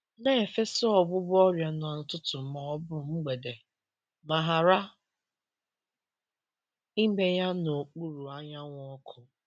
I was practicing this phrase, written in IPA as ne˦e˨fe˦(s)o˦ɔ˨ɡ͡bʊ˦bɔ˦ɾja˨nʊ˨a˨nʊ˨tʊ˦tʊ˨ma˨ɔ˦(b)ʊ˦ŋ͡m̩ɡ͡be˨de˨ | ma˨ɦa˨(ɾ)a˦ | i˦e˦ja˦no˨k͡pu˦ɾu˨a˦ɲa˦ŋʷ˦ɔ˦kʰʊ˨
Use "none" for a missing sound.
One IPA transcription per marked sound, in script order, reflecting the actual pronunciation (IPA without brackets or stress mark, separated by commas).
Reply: s, b, ɾ